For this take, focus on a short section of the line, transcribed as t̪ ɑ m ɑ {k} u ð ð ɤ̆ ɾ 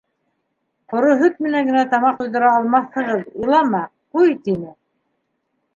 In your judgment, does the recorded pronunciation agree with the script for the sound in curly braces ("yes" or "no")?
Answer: no